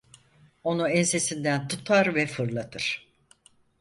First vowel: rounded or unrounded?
rounded